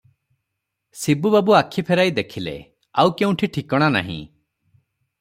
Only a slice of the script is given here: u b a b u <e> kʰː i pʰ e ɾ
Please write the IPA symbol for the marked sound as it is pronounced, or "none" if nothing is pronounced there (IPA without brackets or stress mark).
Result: a